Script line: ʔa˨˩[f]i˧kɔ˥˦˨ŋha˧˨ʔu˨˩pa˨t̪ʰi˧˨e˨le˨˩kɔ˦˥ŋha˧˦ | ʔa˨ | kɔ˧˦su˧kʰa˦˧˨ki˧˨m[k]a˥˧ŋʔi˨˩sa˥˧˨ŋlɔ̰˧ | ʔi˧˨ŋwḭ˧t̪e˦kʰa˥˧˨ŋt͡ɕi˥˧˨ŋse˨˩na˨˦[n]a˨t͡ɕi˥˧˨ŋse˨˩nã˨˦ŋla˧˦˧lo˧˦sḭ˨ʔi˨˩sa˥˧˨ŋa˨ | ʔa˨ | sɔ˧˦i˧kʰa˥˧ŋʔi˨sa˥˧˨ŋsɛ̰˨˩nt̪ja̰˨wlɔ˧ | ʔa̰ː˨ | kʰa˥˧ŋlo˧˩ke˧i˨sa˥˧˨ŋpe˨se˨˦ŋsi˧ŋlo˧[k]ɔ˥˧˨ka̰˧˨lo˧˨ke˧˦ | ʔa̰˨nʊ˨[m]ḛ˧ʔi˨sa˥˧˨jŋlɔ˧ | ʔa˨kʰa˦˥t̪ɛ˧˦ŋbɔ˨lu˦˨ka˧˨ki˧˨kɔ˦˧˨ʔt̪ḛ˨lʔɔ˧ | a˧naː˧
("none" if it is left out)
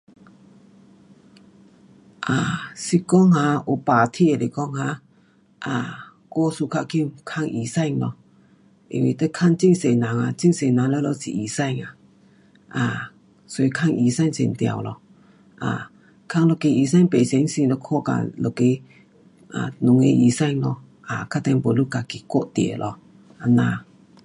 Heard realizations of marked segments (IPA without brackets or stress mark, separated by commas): s, kʰ, ŋ, kʰ, ŋ